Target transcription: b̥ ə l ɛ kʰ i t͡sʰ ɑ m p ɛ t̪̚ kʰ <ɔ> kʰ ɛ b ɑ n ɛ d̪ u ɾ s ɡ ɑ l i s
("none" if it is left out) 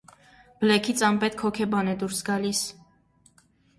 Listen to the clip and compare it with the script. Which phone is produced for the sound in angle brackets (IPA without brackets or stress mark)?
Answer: ɔ